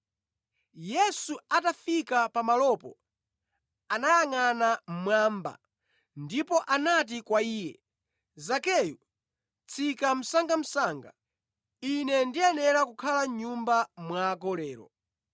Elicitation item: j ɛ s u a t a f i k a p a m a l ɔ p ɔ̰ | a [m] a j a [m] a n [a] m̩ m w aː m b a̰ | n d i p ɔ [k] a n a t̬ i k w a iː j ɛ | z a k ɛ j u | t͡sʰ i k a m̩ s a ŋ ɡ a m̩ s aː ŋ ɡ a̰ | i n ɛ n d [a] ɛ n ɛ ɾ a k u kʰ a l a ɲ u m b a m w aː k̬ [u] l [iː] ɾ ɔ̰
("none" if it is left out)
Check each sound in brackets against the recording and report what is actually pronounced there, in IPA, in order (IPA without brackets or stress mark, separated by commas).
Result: n, ŋ, a, ʔ, i, ɔ, ɛː